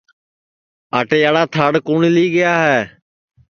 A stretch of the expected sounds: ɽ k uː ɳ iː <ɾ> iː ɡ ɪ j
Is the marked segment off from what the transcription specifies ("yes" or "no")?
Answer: yes